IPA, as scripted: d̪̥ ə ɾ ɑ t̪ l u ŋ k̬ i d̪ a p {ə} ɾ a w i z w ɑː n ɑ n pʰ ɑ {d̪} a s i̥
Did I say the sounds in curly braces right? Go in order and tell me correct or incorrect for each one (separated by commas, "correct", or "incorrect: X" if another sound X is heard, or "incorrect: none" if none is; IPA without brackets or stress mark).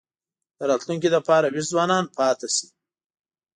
incorrect: ɑ, incorrect: t̪